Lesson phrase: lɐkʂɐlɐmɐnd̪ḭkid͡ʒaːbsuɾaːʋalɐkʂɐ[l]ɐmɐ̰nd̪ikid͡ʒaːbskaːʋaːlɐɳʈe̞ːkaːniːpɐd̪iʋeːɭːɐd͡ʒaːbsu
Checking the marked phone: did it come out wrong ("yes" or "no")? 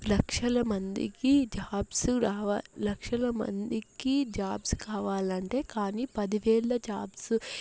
no